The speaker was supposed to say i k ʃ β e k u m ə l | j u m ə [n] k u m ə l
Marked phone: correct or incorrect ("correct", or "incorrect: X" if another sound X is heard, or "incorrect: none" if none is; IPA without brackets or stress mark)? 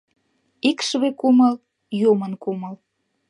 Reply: correct